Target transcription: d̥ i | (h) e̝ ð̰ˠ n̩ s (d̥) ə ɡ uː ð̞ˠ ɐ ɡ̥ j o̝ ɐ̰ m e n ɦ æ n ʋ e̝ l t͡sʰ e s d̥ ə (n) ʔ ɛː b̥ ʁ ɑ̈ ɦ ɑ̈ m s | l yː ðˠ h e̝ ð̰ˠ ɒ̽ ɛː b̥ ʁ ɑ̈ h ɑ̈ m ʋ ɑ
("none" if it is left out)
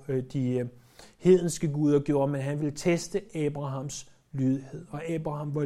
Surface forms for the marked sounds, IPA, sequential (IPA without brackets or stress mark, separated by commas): h, ɡ̥, none